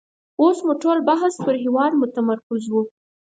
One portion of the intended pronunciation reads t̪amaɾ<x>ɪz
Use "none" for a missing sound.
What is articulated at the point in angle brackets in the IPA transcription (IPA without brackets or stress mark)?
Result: k